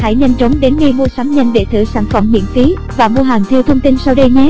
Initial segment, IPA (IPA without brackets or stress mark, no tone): h